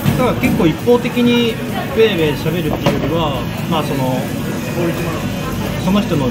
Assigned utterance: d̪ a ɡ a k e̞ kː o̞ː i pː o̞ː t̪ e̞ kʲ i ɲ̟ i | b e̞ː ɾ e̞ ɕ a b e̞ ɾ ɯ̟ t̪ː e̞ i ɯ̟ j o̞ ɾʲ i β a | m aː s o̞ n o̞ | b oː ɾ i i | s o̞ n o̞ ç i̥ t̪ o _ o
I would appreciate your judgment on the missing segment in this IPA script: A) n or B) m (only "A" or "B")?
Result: A